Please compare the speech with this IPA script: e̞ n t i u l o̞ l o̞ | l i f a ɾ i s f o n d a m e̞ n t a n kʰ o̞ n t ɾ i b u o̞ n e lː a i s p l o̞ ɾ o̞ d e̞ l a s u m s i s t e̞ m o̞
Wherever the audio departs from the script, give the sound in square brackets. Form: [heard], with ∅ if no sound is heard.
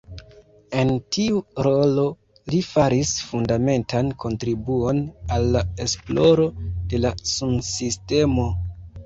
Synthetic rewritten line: e̞ n t i u [ɾ] o̞ l o̞ | l i f a ɾ i s f [u] n d a m e̞ n t a n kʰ o̞ n t ɾ i b u o̞ n [a] lː a [e] s p l o̞ ɾ o̞ d e̞ l a s u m s i s t e̞ m o̞